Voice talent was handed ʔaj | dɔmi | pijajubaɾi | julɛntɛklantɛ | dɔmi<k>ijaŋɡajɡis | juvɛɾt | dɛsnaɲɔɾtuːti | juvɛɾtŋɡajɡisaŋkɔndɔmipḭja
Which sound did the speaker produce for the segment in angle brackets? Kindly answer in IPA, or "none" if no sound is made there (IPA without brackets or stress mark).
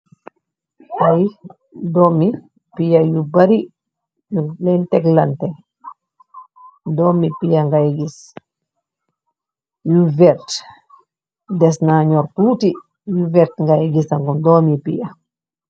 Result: p